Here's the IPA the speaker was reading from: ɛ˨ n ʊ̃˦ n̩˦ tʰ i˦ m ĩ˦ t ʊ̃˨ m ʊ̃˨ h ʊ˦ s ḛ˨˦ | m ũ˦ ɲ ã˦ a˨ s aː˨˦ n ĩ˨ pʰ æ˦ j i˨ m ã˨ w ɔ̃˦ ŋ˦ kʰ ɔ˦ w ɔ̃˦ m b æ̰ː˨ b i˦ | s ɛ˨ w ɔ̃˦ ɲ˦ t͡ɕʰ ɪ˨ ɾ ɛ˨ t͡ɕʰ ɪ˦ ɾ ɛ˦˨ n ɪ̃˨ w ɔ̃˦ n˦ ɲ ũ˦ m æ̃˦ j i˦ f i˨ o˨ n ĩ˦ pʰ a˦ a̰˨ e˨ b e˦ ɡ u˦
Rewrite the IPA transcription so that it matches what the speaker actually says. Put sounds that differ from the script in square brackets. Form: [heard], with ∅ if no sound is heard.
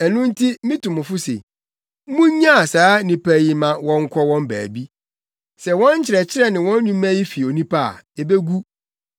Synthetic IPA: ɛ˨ n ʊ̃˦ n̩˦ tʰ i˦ m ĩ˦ t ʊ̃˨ m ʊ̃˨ [f] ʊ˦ s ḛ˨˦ | m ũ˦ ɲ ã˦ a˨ s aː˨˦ n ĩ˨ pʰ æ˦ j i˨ m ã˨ w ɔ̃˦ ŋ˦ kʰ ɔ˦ w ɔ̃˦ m b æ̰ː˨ b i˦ | s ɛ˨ w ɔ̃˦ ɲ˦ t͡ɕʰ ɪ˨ ɾ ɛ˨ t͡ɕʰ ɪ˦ ɾ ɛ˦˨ n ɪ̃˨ w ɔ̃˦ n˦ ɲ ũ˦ m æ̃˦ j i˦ f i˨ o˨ n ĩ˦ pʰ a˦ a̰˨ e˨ b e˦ ɡ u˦